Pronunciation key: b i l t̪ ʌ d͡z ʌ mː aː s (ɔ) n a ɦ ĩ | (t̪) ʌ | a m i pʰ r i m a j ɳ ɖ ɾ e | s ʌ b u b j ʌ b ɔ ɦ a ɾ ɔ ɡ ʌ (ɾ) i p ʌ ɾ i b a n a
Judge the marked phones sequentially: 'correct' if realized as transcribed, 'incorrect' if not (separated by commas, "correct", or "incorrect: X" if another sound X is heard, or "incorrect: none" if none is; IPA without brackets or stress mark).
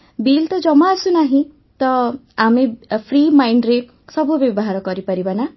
incorrect: u, correct, correct